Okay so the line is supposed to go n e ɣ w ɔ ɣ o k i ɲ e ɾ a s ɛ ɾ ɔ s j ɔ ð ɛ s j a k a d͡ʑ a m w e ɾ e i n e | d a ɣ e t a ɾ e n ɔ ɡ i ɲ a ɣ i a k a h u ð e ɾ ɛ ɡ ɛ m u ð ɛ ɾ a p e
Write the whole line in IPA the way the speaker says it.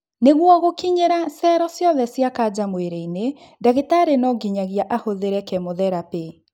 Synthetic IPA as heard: n e ɣ w ɔ ɣ o k i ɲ e ɾ a s ɛ ɾ ɔ s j ɔ ð ɛ s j a k a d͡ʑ a m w e ɾ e i n e | d a ɣ e t a ɾ e n ɔ ɡ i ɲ a ɣ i a ʔ a h o ð e ɾ ɛ k ɛ m o ð ɛ ɾ a p e